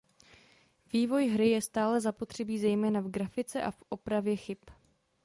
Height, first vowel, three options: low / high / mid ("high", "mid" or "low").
high